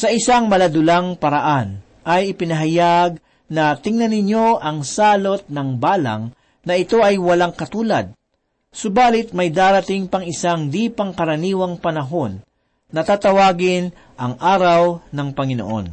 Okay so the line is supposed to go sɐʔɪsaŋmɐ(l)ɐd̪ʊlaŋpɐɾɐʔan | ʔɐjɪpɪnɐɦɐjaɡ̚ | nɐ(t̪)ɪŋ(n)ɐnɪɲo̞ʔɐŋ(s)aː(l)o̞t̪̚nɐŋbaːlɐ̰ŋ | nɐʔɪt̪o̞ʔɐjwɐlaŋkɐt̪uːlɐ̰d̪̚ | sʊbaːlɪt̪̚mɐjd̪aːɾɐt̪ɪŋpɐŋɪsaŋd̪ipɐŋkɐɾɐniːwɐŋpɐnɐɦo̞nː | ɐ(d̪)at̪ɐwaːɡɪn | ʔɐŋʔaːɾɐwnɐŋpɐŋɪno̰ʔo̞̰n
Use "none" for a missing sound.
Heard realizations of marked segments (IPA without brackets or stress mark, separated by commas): l, t̪, n, s, l, t̪